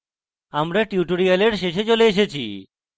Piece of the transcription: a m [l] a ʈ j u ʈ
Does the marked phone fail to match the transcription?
yes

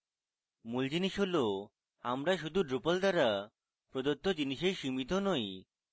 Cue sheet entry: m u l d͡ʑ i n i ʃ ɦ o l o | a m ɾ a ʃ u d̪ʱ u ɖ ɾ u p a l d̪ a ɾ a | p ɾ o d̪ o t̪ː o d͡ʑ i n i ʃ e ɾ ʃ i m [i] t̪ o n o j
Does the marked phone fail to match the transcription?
no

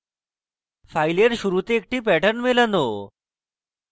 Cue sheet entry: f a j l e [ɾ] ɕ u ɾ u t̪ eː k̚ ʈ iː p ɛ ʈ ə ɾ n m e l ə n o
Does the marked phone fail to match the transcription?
no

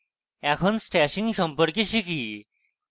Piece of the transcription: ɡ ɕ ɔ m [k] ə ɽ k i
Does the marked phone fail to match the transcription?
yes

